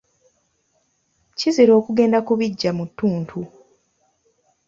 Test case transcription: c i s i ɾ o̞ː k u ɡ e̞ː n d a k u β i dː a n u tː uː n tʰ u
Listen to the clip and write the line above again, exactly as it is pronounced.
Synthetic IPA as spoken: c i z i ɾ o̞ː k u ɡ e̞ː n d a k u β i ɟː a m u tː uː n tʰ u